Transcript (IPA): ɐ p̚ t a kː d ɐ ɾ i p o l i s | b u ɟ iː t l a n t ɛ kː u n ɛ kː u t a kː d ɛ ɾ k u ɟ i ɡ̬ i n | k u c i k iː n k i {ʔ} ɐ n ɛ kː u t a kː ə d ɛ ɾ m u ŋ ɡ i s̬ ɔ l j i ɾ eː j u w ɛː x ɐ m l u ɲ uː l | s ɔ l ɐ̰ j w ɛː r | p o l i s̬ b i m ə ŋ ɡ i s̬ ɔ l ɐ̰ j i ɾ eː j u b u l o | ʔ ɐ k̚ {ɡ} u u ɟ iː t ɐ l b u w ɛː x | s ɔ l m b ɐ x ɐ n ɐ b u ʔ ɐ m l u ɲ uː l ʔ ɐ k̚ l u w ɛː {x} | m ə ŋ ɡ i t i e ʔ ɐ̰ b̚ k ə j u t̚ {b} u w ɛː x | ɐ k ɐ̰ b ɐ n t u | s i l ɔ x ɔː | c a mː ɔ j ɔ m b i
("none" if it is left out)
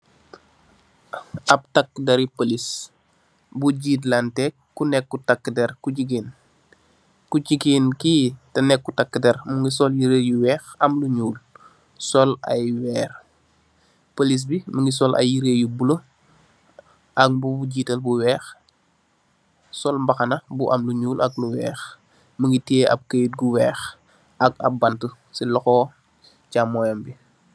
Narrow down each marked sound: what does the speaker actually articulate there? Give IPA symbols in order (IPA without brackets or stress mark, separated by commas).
t, b, x, ɡ